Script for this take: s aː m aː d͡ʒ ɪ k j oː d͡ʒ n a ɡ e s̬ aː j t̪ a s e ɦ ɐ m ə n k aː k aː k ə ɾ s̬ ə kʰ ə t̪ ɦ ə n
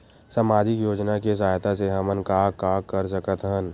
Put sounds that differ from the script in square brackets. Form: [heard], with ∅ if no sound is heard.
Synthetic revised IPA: s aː m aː d͡ʒ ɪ k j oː d͡ʒ n a [k] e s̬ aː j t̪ a s e ɦ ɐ m ə n k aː k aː k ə ɾ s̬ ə [k] ə t̪ ɦ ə n